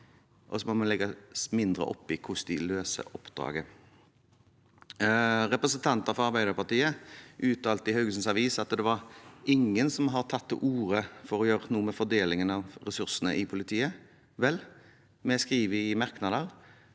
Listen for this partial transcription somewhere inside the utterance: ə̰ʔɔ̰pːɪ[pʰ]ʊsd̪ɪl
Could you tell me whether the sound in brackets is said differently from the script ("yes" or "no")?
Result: yes